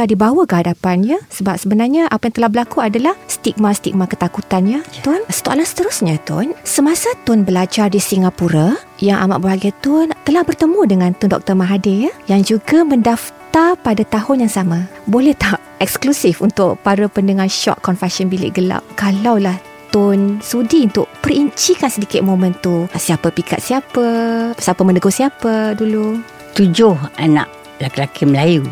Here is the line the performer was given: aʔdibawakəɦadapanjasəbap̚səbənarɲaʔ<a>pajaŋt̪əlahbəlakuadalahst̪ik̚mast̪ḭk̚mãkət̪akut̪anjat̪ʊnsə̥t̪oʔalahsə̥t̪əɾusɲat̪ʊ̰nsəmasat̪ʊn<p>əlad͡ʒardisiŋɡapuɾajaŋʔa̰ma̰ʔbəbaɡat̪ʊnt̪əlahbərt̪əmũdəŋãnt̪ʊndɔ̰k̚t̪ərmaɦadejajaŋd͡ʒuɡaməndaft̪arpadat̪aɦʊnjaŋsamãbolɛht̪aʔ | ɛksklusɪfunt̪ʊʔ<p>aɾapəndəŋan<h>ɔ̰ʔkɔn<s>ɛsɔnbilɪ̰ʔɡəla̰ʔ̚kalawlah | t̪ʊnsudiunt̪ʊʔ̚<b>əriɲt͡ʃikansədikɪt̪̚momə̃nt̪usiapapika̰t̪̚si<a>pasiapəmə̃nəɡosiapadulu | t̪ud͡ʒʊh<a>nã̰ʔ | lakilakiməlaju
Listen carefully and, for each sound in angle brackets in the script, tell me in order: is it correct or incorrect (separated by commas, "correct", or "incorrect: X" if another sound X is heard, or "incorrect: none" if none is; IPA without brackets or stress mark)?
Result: correct, incorrect: b, correct, incorrect: ʃ, incorrect: f, incorrect: p, correct, correct